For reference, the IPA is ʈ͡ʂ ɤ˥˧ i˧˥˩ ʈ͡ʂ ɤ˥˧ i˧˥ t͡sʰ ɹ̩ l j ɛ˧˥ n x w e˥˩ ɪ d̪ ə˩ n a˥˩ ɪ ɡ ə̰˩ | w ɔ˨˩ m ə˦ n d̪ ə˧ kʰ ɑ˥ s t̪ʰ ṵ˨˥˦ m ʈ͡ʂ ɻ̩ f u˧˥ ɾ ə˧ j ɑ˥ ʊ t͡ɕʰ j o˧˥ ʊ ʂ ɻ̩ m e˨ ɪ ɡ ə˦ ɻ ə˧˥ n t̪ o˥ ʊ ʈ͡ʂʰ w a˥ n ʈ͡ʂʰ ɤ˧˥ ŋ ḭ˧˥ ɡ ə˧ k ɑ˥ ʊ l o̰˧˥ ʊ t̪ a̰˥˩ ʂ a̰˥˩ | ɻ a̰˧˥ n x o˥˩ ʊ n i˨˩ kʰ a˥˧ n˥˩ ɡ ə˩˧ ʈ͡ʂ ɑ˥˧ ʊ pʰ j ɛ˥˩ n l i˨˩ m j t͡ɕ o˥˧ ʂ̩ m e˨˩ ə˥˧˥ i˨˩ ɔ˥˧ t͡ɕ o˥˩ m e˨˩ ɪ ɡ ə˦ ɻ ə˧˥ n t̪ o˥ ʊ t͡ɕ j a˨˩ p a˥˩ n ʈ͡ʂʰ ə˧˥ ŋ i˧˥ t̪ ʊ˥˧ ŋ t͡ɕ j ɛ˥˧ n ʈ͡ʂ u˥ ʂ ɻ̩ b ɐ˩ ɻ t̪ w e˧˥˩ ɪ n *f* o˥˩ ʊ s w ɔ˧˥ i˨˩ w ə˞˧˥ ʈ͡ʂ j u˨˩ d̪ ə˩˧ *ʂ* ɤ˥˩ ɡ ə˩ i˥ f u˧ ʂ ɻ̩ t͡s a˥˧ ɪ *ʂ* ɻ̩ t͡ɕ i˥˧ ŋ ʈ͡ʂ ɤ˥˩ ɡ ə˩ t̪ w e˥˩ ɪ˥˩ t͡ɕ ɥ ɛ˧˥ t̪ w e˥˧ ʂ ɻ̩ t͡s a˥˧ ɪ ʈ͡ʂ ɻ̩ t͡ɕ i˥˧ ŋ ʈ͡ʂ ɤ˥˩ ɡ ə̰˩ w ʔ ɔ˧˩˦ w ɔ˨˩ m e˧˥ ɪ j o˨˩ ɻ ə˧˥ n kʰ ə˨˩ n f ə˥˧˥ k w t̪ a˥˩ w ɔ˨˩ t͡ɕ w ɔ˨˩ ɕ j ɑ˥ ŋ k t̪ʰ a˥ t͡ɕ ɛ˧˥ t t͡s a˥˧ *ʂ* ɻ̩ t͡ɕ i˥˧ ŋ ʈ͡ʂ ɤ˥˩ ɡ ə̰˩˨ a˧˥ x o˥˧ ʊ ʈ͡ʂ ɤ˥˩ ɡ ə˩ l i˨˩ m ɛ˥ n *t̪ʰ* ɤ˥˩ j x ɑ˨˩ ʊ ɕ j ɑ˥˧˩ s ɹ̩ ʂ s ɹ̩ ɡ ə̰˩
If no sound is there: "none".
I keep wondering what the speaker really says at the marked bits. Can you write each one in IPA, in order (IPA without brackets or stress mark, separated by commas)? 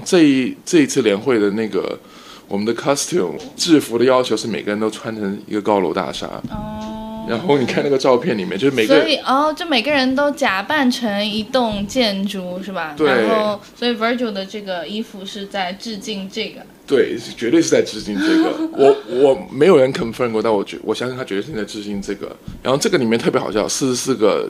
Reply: x, ʈ͡ʂ, ʈ͡ʂ, ʈ͡ʂ, t̪ʰ